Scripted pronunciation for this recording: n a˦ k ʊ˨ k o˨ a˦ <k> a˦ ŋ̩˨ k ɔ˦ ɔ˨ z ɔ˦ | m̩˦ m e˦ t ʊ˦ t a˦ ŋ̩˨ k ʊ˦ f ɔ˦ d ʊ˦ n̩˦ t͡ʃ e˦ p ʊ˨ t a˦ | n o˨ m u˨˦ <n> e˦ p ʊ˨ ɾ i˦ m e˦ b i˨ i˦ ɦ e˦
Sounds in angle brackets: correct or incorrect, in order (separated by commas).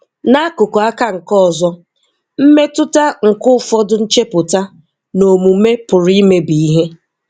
correct, incorrect